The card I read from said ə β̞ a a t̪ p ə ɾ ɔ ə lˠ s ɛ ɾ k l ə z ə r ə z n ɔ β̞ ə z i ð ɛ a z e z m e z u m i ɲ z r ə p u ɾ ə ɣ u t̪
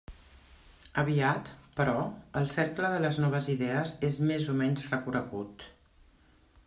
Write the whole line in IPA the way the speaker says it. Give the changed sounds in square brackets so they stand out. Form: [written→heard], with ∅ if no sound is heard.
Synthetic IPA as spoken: ə β̞ [a→i] a t̪ p ə ɾ ɔ ə lˠ s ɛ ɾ k l ə [z→ð] ə [r→l] ə z n ɔ β̞ ə z i ð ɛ [a→ə] z e z m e z u m [i→ɛ] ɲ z r ə [p→k] u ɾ ə ɣ u t̪